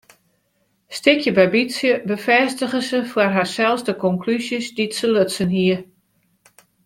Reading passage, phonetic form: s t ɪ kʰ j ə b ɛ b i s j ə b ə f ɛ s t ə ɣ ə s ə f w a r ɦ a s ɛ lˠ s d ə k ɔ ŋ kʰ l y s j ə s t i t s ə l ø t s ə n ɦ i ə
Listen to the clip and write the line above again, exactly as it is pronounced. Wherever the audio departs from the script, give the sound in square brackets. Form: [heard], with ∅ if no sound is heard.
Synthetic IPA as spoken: s t ɪ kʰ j ə b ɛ b i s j ə b ə f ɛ s t ə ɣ ə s ə f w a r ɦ a s ɛ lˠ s d ə k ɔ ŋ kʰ l y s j ə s [d] i t s ə l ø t s ə n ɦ i ə